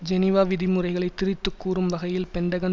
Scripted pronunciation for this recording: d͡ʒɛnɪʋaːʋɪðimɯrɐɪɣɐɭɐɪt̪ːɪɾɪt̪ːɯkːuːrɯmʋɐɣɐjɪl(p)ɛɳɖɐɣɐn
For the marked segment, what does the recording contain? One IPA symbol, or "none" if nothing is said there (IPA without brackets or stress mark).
p